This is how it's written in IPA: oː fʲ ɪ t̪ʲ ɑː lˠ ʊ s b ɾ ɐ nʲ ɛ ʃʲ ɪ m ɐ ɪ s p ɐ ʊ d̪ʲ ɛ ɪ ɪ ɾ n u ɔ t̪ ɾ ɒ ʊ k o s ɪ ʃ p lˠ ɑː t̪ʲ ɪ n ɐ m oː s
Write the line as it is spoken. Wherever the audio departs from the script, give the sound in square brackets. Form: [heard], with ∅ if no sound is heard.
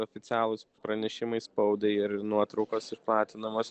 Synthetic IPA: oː fʲ ɪ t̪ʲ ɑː lˠ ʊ s [p] ɾ ɐ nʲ ɛ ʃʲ ɪ m ɐ ɪ s p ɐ ʊ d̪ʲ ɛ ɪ ɪ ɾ n u ɔ t̪ ɾ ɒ ʊ k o s ɪ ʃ p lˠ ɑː t̪ʲ ɪ n ɐ m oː s